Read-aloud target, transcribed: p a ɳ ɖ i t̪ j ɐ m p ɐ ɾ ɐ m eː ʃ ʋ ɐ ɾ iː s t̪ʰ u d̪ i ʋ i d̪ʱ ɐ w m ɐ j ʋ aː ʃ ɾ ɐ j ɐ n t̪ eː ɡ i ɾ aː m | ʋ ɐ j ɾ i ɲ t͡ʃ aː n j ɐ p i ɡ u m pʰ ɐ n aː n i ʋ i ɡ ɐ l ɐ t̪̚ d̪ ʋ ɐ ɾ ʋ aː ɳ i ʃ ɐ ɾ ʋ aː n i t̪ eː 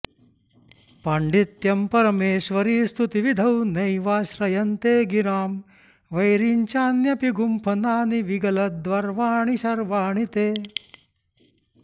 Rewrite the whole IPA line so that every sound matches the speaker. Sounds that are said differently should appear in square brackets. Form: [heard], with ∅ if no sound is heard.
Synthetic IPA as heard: p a ɳ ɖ i t̪ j ɐ m p ɐ ɾ ɐ m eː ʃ ʋ ɐ ɾ iː s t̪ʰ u [t̪] i ʋ i d̪ʱ ɐ w [n] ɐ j ʋ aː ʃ ɾ ɐ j ɐ n t̪ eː ɡ i ɾ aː m | ʋ ɐ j ɾ i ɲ t͡ʃ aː n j ɐ p i ɡ u m pʰ ɐ n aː n i ʋ i ɡ ɐ l ɐ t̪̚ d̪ ʋ ɐ ɾ ʋ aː ɳ i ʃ ɐ ɾ ʋ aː [ɳ] i t̪ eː